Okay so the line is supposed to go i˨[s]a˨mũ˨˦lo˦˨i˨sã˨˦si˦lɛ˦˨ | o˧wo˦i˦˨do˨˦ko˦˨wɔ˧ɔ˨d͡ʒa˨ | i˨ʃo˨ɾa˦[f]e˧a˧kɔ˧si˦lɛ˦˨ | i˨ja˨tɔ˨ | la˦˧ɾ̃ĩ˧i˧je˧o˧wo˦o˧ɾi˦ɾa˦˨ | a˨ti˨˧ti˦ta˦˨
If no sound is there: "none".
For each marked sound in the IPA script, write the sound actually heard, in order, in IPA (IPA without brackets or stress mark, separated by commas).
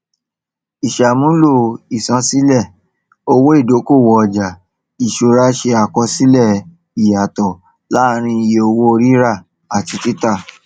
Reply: ʃ, ʃ